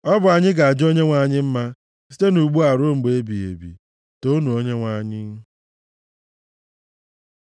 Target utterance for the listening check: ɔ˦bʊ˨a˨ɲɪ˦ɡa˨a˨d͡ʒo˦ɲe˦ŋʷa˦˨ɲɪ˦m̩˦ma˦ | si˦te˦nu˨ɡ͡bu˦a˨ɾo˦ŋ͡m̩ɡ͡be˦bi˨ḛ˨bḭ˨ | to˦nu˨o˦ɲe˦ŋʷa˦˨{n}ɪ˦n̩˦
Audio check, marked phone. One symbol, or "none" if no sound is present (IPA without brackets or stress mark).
ɲ